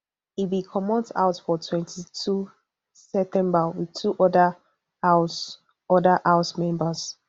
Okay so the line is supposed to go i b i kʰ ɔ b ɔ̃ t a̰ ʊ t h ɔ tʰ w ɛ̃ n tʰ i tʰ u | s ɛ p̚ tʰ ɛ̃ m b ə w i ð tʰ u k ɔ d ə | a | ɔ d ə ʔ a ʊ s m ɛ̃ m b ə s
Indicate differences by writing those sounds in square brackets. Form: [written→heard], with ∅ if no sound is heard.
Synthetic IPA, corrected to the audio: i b i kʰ ɔ [b→m] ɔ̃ t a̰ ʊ t [h→f] ɔ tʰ w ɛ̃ n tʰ i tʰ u | s ɛ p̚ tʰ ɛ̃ m b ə w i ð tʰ u [k→ʔ] ɔ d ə | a | ɔ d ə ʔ a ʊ s m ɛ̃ m b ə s